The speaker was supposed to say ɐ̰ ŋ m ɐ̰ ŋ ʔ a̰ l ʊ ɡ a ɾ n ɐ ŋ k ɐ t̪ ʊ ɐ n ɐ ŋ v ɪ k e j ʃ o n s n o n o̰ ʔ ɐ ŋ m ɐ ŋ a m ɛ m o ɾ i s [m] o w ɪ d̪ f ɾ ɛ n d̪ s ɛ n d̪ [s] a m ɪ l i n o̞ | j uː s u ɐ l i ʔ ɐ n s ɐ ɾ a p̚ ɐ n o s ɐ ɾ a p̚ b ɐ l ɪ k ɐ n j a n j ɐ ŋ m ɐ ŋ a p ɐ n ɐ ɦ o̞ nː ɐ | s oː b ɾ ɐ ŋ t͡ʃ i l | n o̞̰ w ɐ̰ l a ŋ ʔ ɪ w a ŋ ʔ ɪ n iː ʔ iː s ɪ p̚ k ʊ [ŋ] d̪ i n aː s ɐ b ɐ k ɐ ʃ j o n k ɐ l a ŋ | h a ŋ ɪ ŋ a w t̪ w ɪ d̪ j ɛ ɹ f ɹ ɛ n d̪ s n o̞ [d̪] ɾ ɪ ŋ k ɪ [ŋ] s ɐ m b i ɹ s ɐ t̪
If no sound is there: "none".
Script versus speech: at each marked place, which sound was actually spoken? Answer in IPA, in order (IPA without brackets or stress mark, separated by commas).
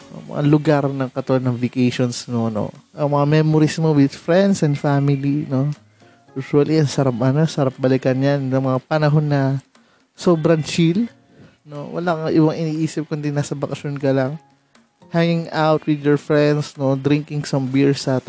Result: m, f, n, d̪, ŋ